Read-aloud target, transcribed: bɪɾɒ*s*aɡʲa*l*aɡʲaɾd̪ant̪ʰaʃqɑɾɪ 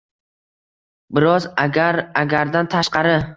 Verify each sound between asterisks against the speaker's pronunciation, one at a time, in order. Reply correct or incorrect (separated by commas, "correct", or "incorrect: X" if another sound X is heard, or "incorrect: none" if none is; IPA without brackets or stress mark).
incorrect: z, incorrect: ɾ